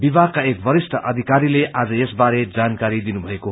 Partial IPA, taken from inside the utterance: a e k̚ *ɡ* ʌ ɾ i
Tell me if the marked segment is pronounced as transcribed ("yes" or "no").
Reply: no